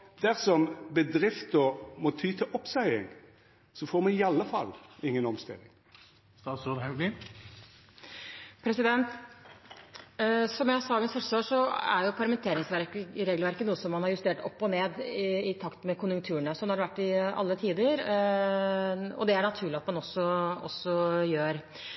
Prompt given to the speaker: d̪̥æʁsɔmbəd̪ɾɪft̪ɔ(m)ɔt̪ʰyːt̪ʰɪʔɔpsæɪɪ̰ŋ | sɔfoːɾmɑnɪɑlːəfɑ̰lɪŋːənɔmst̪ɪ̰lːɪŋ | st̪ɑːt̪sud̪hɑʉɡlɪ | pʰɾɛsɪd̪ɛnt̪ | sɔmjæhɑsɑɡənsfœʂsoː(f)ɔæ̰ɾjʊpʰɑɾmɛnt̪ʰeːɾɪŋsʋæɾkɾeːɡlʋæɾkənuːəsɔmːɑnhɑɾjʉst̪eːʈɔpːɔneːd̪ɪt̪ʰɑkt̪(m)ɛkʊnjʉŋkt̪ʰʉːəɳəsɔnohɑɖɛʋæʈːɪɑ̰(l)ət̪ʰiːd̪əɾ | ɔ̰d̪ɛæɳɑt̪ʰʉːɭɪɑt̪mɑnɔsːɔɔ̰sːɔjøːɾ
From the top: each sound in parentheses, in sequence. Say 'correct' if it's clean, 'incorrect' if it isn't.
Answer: correct, incorrect: ʂ, correct, incorrect: lː

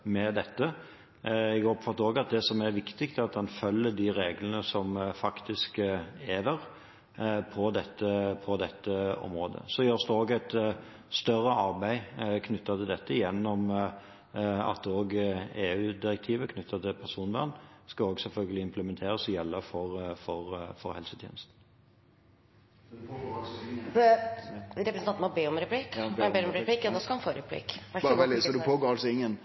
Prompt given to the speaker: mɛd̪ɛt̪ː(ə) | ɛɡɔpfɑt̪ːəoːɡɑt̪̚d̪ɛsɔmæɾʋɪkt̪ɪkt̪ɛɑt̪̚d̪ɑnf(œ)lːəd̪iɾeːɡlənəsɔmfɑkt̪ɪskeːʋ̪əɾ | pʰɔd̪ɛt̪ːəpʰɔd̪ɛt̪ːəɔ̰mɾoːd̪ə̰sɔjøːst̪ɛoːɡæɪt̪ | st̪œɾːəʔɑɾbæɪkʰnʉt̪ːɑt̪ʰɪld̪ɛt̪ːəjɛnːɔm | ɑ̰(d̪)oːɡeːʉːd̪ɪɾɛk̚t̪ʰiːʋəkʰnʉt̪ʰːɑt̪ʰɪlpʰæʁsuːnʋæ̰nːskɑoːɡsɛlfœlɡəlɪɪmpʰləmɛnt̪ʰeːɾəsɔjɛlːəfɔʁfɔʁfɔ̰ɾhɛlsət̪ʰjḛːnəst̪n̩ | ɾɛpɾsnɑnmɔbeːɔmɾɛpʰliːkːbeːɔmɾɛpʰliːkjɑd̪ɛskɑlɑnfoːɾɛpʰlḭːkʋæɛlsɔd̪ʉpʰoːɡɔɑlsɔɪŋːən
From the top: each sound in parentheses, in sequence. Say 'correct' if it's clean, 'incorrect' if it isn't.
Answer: correct, correct, incorrect: t̪

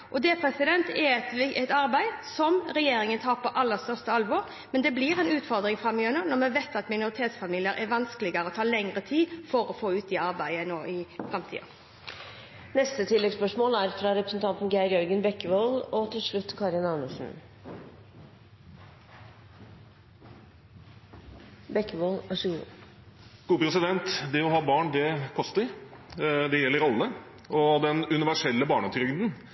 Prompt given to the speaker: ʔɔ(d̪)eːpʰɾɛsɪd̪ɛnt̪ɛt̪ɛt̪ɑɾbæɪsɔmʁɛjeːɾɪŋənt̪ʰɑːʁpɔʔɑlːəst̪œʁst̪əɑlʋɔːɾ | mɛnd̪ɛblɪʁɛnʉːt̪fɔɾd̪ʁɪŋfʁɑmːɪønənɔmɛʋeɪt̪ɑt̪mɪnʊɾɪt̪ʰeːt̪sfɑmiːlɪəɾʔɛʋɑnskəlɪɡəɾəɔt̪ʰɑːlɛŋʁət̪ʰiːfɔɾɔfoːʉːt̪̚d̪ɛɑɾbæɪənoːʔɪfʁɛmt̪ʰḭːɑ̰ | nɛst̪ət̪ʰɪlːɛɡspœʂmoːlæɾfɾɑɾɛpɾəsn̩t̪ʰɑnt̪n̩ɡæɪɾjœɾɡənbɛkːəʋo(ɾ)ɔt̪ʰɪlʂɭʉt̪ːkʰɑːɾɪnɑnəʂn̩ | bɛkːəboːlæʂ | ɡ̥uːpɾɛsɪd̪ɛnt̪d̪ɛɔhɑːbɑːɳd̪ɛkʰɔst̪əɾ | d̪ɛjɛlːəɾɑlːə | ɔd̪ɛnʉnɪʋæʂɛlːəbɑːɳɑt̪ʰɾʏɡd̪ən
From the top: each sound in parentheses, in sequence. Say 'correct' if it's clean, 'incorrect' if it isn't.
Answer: correct, incorrect: l

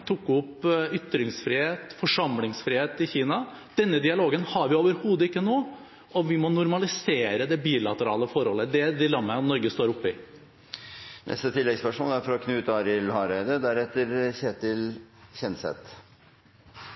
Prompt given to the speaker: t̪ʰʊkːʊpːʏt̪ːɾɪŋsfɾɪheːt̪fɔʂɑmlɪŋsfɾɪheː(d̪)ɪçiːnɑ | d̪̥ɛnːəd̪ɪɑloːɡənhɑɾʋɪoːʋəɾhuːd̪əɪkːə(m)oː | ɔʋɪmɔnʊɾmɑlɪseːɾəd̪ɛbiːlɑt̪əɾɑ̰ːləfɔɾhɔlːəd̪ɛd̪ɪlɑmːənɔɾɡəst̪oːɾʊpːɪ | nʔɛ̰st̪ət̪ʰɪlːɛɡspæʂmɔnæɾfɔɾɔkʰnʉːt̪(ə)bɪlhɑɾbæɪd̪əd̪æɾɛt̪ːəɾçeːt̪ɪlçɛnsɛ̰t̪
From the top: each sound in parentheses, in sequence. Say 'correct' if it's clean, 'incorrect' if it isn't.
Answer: incorrect: t̪, incorrect: n, incorrect: ɑ

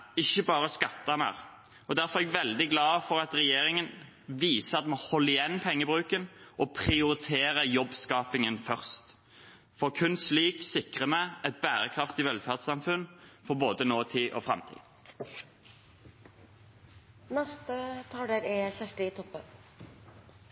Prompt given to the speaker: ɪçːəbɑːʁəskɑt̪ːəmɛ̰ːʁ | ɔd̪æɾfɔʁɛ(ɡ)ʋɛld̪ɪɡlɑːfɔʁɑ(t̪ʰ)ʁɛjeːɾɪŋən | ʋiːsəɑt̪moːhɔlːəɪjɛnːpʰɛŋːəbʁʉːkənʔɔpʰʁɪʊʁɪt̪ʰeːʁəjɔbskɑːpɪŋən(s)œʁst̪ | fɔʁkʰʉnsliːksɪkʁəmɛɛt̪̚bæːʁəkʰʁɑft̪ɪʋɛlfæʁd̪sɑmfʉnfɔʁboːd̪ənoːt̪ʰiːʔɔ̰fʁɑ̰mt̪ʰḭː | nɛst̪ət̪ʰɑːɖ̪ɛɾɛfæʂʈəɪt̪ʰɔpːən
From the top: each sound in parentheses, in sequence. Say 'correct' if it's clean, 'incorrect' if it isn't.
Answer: correct, incorrect: t̪, incorrect: f

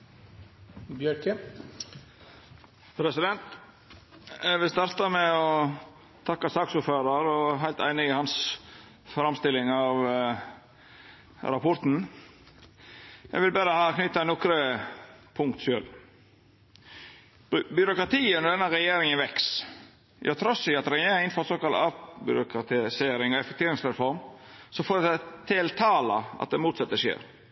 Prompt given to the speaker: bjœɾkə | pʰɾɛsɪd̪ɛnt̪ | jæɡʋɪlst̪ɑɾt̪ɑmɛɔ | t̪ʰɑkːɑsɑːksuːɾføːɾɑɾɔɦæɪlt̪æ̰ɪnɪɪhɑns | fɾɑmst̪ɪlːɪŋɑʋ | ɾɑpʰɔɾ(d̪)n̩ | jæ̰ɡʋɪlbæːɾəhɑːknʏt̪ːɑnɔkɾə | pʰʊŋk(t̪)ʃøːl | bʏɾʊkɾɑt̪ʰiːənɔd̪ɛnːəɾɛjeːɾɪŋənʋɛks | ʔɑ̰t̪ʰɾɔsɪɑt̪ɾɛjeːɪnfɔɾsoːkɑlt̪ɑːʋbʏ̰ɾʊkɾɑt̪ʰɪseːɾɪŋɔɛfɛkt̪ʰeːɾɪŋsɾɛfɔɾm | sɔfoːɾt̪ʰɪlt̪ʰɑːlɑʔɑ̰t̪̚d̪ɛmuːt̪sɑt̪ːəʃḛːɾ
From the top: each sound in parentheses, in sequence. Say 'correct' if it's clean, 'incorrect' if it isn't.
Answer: incorrect: t̪, correct

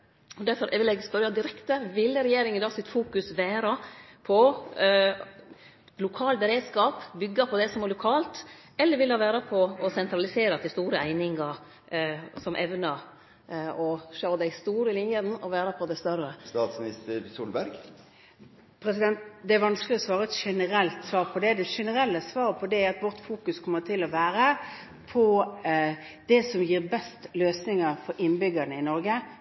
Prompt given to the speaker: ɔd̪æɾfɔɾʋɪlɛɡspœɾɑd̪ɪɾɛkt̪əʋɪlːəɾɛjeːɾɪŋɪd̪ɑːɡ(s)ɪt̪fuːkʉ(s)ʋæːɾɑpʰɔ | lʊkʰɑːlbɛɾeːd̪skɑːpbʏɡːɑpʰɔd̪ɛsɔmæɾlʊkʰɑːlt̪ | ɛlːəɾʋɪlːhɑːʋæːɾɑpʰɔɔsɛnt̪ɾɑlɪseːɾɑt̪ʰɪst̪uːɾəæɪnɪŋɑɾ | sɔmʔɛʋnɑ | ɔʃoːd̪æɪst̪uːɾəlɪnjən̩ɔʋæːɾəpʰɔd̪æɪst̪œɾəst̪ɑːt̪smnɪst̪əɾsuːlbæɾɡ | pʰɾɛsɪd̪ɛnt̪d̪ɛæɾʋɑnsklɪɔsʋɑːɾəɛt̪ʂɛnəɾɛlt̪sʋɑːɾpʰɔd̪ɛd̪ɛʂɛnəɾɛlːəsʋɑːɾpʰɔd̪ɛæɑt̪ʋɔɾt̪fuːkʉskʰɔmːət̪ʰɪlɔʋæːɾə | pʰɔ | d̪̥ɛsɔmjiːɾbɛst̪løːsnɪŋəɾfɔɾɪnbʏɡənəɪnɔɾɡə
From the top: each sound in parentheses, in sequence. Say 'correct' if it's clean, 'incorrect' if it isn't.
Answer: correct, correct

